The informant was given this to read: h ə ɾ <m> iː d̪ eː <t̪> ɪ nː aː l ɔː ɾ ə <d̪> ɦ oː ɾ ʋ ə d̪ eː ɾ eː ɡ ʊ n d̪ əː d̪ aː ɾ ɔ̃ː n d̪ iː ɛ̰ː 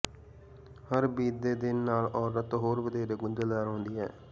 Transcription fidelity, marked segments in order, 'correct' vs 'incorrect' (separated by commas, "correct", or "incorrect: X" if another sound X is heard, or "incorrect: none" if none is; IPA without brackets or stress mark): incorrect: b, incorrect: d̪, incorrect: t̪